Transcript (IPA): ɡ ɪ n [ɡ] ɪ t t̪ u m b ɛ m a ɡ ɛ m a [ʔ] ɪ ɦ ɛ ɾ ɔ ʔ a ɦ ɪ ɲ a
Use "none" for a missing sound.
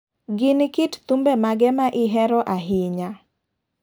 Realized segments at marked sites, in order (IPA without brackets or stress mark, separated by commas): k, ʔ